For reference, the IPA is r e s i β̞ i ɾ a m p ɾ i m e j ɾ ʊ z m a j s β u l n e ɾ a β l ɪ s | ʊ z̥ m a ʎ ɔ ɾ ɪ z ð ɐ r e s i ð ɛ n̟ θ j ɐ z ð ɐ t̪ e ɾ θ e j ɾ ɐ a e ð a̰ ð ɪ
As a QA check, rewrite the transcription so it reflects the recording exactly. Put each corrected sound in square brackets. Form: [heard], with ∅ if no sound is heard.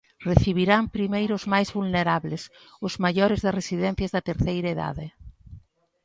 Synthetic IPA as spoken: r e [θ] i β̞ i ɾ a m p ɾ i m e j ɾ ʊ z m a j [z] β u l n e ɾ a β l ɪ s | ʊ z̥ m a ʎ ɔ ɾ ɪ z ð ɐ r e s i ð ɛ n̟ θ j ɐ z ð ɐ t̪ e ɾ θ e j ɾ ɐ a e ð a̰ ð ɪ

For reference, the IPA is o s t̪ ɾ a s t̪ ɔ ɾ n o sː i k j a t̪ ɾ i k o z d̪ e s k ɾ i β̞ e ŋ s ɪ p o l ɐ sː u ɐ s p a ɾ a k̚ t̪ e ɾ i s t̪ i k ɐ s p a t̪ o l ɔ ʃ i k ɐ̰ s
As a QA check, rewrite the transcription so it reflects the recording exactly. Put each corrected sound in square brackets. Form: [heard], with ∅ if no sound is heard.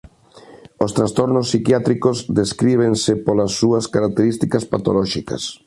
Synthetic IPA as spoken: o s t̪ ɾ a s t̪ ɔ ɾ n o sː i k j a t̪ ɾ i k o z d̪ e s k ɾ i β̞ e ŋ s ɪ p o l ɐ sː u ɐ s [k] a ɾ a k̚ t̪ e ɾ i s t̪ i k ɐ s p a t̪ o l ɔ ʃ i k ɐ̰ s

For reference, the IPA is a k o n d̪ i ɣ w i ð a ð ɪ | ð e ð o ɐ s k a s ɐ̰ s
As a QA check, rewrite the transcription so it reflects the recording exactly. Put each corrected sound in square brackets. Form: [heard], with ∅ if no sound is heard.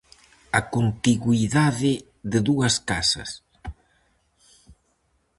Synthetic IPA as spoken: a k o n [t̪] i ɣ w i ð a ð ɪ | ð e ð [u] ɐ s k a s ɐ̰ s

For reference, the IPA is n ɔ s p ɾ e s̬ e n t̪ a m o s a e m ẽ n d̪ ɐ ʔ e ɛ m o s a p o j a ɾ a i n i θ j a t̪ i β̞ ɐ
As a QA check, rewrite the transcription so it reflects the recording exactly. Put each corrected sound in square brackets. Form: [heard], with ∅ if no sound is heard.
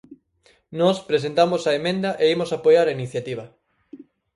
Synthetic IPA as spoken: n ɔ s p ɾ e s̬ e n t̪ a m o s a e m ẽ n d̪ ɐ ʔ e [i] m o s a p o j a ɾ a i n i θ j a t̪ i β̞ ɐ

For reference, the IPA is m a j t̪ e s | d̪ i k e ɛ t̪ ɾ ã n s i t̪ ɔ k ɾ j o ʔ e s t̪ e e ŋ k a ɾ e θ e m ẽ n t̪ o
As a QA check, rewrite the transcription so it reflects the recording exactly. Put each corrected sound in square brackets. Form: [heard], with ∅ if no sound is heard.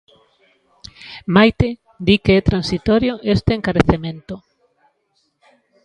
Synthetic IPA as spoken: m a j t̪ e [∅] | d̪ i k e ɛ t̪ ɾ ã n s i t̪ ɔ [∅] ɾ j o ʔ e s t̪ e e ŋ k a ɾ e θ e m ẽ n t̪ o

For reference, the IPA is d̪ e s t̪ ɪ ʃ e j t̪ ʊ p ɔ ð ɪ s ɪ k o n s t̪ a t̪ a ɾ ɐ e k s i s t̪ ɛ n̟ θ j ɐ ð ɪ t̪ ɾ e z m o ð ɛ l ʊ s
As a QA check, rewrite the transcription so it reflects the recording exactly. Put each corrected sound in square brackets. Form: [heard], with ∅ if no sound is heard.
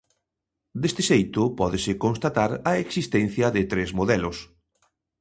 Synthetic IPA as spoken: d̪ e s t̪ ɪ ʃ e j t̪ ʊ p ɔ ð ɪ s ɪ k o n s t̪ a t̪ a ɾ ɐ e k s i s t̪ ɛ n̟ θ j ɐ ð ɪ t̪ ɾ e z m o ð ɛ l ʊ s

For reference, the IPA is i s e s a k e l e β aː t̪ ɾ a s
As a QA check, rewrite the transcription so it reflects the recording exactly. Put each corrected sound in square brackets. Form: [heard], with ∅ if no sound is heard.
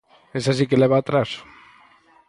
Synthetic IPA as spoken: [e] s [a] s [i] k e l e β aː t̪ ɾ a s

